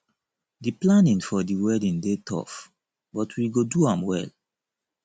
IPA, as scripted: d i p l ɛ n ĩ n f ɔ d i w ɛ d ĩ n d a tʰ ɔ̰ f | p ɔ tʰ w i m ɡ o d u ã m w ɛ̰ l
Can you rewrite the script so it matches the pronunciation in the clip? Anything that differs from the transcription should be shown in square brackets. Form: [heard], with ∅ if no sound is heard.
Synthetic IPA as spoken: d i p l [a] n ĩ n f ɔ d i w ɛ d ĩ n d [e] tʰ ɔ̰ f | [b] ɔ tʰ w i [∅] ɡ o d u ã m w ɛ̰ l